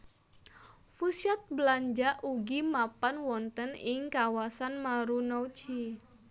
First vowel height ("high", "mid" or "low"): high